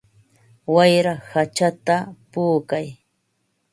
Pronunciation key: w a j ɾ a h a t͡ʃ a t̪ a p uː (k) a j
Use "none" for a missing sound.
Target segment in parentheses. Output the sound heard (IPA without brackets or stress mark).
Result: k